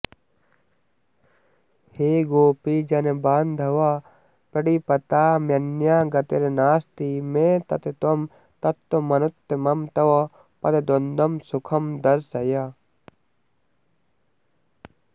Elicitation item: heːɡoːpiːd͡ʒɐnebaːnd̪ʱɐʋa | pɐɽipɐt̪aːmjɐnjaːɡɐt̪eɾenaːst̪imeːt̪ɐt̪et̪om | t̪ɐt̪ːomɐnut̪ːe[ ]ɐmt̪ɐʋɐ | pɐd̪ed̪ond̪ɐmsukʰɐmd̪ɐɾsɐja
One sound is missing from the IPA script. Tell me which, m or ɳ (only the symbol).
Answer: m